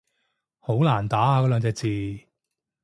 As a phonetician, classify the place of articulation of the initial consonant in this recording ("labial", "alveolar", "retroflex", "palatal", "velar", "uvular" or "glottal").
glottal